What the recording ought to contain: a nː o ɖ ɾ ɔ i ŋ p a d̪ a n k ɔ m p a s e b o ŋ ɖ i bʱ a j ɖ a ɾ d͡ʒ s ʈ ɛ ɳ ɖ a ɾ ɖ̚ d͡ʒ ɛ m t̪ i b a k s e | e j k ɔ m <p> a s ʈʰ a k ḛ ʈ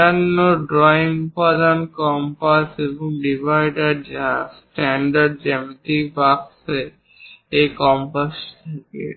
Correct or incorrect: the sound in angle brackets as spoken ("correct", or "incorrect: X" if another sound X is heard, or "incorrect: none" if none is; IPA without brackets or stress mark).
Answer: correct